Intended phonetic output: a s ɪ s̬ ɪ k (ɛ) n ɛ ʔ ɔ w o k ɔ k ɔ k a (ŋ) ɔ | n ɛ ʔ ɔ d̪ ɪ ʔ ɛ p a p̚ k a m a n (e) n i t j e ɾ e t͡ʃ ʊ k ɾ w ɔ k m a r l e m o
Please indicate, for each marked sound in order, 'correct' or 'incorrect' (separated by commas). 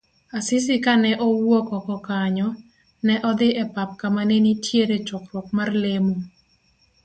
incorrect, incorrect, correct